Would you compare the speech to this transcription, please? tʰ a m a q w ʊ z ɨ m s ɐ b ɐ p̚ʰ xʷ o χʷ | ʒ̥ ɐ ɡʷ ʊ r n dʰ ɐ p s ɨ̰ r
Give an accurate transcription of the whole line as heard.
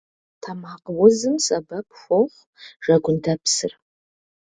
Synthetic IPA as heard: tʰ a m a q w ʊ z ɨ m s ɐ b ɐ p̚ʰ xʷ o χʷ | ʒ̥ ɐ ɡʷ ʊ n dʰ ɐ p s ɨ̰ r